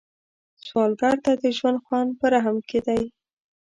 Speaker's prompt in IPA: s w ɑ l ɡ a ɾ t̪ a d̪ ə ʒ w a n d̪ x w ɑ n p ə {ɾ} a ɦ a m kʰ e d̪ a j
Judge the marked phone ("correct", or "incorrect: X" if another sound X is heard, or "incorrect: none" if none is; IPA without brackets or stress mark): correct